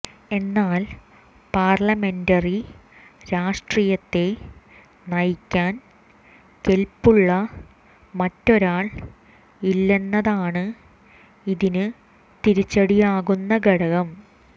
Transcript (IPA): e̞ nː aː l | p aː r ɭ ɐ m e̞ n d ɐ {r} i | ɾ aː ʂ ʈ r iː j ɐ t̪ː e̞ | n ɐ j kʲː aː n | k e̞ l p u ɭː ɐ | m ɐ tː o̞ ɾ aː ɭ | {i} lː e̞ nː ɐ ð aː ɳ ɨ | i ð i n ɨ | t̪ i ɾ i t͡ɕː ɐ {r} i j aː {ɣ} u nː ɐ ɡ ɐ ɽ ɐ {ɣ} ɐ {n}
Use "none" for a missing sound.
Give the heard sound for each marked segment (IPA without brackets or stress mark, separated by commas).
r, i, ɽ, ɣ, ɣ, m